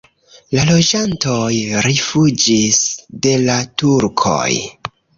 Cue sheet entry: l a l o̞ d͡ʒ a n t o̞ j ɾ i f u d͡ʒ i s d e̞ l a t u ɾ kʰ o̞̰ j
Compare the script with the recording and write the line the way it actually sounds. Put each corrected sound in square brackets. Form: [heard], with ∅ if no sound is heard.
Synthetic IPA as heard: l a l o̞ d͡ʒ a n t o̞ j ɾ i f u d͡ʒ i s d e̞ l a t u ɾ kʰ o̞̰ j